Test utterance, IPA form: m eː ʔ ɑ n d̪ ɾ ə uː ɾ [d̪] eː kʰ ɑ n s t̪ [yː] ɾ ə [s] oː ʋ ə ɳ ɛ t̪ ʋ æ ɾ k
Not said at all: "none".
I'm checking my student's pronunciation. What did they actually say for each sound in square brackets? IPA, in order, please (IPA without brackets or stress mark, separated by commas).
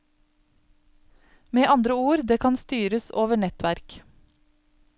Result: d̪, yː, s